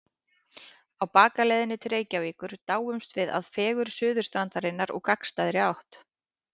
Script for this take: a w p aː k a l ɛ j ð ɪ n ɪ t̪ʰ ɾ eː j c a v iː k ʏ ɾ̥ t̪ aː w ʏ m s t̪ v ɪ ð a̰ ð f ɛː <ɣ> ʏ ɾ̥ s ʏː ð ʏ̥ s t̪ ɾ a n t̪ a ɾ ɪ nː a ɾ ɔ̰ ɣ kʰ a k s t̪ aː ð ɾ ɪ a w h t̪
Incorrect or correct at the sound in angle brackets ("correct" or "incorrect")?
correct